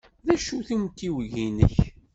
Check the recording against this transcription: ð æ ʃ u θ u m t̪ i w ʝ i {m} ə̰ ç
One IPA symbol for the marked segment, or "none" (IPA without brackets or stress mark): n